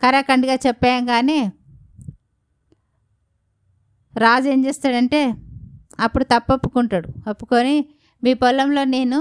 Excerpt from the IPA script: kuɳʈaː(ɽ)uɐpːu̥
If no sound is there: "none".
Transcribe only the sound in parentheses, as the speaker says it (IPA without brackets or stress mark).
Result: ɽ